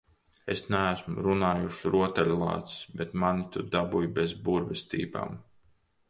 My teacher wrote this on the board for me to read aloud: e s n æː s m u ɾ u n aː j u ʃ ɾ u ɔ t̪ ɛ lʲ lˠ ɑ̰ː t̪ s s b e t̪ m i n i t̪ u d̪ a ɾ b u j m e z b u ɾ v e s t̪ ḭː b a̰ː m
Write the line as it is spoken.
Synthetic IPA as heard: e s n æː s m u ɾ u n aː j u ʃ ɾ u ɔ t̪ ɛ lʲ lˠ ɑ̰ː t̪ s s b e t̪ m a n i t̪ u d̪ a b u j b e z b u ɾ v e s t̪ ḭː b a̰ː m